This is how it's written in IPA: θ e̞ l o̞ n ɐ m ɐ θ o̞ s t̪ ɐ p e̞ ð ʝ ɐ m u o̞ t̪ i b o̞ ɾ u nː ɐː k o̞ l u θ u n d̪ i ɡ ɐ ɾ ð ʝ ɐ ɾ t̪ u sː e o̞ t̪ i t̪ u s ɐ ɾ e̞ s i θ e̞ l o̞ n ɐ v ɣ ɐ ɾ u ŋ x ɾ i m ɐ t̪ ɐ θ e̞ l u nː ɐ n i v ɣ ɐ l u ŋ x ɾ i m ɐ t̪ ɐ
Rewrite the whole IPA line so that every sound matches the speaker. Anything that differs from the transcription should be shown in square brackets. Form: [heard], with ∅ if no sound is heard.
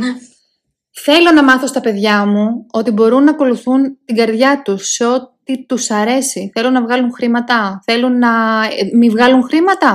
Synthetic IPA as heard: θ e̞ l o̞ n ɐ m ɐ θ o̞ s t̪ ɐ p e̞ ð ʝ ɐ m u o̞ t̪ i b o̞ ɾ u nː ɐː k o̞ l u θ u n [t̪] i ɡ ɐ ɾ ð ʝ ɐ [∅] t̪ u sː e o̞ t̪ i t̪ u s ɐ ɾ e̞ s i θ e̞ l o̞ n ɐ v ɣ ɐ [l] u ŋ x ɾ i m ɐ t̪ ɐ θ e̞ l u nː ɐ [m] i v ɣ ɐ l u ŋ x ɾ i m ɐ t̪ ɐ